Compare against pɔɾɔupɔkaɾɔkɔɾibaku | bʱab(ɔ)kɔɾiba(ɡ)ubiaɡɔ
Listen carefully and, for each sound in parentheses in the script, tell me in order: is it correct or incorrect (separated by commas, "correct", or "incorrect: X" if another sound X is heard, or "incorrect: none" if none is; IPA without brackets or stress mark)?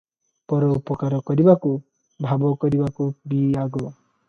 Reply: correct, incorrect: k